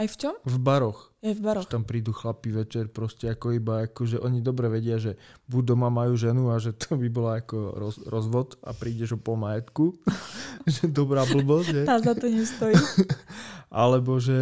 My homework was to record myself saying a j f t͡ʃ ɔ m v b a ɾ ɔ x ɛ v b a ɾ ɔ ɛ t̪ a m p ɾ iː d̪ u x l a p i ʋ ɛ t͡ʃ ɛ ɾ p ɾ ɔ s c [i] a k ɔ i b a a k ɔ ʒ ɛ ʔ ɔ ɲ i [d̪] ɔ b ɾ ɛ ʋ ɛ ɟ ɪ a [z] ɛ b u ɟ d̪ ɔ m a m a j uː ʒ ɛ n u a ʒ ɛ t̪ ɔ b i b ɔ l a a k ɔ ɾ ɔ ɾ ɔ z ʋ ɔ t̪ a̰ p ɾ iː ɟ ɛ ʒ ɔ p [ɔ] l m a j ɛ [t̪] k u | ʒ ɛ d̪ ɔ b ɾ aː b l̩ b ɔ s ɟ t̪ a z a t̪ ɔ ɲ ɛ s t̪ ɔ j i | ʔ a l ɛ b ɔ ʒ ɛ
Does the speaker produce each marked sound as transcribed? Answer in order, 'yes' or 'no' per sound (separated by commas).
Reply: no, yes, no, yes, yes